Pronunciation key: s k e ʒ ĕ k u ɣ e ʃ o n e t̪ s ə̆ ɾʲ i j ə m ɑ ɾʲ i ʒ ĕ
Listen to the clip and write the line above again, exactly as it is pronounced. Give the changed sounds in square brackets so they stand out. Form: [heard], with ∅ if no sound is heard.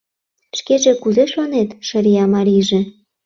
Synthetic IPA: [ʃ] k e ʒ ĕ k u [z] e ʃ o n e t̪ [ʃ] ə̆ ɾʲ i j [ɑ] m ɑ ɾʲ i ʒ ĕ

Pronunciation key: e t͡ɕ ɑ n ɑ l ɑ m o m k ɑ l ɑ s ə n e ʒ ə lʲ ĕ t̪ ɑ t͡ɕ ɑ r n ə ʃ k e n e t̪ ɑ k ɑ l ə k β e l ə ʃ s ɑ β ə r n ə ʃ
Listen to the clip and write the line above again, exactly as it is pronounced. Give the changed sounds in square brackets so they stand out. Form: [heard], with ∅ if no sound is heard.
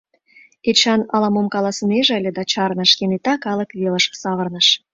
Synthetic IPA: e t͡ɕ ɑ n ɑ l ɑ m o m k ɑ l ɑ s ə n e ʒ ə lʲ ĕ [d̪] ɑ t͡ɕ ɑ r n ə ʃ k e n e t̪ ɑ k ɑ l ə k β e l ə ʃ s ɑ β ə r n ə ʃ

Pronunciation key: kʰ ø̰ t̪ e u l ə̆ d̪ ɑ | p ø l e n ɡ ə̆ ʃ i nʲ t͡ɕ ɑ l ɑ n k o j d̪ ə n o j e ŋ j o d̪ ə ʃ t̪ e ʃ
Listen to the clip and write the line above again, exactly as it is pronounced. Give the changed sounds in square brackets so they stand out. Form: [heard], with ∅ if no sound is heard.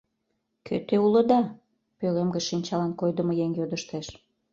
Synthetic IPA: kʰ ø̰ t̪ e u l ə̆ d̪ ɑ | p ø l e [m] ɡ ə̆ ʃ i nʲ t͡ɕ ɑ l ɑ n k o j d̪ ə [m] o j e ŋ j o d̪ ə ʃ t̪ e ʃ

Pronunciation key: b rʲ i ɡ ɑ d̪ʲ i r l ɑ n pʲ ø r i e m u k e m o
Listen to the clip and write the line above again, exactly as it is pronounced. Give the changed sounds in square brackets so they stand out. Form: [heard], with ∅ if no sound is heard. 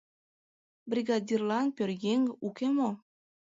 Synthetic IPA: b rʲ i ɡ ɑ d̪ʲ i r l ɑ n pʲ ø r [j] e [ŋ] u k e m o

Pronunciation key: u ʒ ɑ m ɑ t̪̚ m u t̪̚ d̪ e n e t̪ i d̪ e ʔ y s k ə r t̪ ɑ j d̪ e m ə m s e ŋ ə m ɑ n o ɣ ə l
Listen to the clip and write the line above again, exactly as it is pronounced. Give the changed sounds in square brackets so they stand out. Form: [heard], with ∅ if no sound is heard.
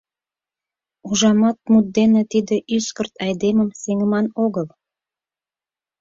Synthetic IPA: u ʒ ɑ m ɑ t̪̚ m u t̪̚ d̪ e n e t̪ i d̪ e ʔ y s k ə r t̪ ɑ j d̪ e m ə m s e ŋ ə m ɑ n o ɣ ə l

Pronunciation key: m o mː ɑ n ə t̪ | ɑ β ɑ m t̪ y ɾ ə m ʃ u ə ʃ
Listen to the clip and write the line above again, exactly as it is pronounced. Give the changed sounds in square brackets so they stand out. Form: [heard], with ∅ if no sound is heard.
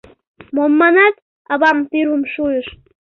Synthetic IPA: m o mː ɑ n [ɑ] t̪ | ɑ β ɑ m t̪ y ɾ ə m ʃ u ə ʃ

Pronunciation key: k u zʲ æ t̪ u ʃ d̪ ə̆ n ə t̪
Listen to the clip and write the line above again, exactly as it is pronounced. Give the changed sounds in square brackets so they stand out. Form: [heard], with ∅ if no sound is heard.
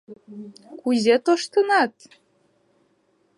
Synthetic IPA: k u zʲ [e] t̪ [o] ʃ [t̪] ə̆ n [ɑ] t̪

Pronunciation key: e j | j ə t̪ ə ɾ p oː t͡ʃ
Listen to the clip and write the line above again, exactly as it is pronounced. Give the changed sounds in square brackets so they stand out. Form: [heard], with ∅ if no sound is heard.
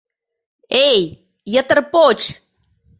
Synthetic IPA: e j | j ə t̪ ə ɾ p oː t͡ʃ

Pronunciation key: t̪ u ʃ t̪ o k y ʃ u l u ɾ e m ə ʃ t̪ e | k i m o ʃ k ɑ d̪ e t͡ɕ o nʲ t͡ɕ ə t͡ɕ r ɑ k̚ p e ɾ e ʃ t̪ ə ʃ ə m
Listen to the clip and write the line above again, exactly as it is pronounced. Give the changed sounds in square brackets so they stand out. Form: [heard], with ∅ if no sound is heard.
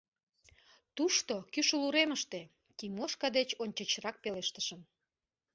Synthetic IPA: t̪ u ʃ t̪ o k y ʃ u l u ɾ e m ə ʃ t̪ e | k i m o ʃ k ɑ d̪ e t͡ɕ o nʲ t͡ɕ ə t͡ɕ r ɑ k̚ p e [l] e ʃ t̪ ə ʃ ə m

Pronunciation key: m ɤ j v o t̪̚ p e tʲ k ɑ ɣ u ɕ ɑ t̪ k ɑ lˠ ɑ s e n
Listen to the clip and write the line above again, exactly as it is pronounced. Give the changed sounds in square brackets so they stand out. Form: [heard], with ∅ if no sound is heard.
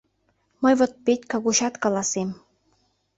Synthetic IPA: m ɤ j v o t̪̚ p e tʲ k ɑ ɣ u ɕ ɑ t̪ k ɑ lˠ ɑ s e [m]

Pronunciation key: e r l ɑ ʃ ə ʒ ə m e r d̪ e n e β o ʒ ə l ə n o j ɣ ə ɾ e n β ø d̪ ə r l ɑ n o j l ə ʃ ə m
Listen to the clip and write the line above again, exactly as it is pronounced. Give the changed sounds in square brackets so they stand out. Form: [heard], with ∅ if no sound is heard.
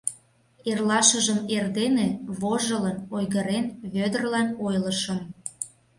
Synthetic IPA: e r l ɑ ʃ ə ʒ ə m e r d̪ e n e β o ʒ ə l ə n o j ɣ ə ɾ e n β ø d̪ ə r l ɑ n o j l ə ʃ ə m

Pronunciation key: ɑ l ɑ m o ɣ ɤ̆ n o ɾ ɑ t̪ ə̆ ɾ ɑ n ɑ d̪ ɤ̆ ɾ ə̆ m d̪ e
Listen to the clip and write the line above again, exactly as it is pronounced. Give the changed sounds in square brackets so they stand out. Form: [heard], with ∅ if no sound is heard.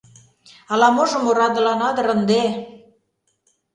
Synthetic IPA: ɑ l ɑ m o [ʒ] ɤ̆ [m] o ɾ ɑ [d̪] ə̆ [l] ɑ n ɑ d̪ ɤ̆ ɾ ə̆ [n] d̪ e

